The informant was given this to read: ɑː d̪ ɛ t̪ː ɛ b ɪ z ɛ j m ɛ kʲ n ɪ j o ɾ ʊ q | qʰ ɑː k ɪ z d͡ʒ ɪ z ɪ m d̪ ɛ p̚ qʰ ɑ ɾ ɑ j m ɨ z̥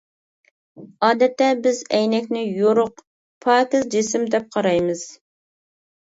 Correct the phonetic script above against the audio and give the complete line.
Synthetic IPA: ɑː d̪ ɛ t̪ː ɛ b ɪ z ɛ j n ɛ kʲ n ɪ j o ɾ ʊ q | pʰ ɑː k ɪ z d͡ʒ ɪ s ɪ m d̪ ɛ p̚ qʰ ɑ ɾ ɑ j m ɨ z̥